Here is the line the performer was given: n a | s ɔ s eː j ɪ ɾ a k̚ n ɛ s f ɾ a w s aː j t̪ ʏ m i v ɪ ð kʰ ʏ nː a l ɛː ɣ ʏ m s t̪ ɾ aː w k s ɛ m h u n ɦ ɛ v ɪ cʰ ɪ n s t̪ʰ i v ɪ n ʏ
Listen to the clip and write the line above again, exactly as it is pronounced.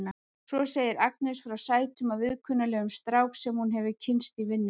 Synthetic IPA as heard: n a | s ɔ s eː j ɪ ɾ a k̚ n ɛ s f ɾ a w s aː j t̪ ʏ m a v ɪ ð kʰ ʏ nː a l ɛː ɣ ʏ m s t̪ ɾ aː w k s ɛ m h u n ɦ ɛ v ɪ cʰ ɪ n s t̪ i v ɪ nː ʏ